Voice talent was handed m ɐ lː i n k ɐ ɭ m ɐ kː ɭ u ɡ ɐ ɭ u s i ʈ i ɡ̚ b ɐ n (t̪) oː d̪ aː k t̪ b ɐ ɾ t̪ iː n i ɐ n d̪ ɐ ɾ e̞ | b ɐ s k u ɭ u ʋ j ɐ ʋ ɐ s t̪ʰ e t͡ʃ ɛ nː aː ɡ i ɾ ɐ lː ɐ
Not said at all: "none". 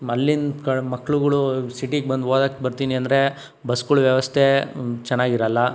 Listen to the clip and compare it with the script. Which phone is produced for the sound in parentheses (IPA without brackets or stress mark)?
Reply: d̪